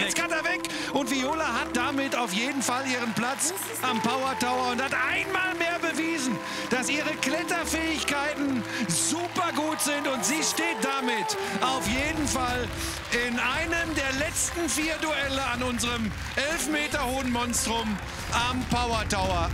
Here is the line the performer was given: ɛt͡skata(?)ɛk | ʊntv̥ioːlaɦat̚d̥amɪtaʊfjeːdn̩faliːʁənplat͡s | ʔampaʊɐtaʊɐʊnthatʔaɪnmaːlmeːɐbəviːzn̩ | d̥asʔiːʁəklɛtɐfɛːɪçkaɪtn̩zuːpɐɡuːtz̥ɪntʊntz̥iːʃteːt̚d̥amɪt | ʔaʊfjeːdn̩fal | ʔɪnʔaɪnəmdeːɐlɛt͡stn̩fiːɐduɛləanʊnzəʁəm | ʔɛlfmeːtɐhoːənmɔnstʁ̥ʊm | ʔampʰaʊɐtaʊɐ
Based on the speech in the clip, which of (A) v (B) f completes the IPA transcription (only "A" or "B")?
A